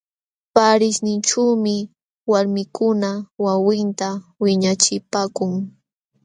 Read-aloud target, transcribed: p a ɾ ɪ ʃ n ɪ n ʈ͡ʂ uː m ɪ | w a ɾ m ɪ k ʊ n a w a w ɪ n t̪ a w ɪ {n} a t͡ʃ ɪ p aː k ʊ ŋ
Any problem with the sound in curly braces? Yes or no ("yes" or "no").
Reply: yes